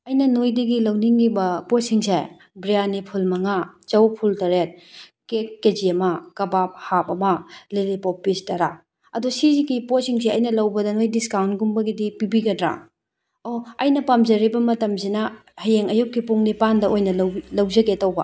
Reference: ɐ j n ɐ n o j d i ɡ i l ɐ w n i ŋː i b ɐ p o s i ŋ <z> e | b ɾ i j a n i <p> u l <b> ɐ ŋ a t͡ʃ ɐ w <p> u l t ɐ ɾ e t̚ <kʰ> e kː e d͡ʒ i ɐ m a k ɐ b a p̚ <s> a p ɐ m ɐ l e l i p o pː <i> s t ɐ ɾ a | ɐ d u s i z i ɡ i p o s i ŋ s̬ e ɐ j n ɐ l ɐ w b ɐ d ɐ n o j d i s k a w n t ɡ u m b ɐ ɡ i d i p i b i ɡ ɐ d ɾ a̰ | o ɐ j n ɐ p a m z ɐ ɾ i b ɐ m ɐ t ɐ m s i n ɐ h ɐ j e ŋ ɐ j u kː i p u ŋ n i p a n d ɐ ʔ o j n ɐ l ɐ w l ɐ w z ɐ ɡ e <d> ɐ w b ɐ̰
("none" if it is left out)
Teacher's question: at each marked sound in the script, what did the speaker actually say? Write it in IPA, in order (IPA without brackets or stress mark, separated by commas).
s, pʰ, m, pʰ, k, h, i, t